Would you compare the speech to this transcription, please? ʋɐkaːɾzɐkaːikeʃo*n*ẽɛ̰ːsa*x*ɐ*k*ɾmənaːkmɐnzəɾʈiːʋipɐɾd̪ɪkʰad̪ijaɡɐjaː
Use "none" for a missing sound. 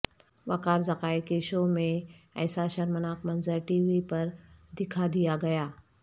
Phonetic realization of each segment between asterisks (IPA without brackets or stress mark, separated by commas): m, ʃ, none